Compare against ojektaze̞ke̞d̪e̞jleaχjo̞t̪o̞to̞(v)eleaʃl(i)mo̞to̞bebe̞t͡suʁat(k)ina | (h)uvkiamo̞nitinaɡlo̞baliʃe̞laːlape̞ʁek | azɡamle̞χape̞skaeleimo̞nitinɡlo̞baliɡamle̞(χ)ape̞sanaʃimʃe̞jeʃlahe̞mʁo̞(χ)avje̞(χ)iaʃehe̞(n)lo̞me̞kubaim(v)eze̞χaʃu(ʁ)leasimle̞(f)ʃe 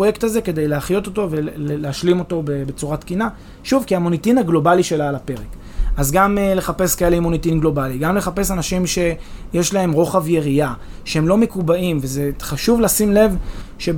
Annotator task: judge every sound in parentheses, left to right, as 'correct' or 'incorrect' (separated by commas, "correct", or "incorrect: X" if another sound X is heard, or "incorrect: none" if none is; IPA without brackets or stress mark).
correct, correct, correct, incorrect: ʃ, correct, correct, incorrect: ʁ, incorrect: m, correct, incorrect: v, incorrect: v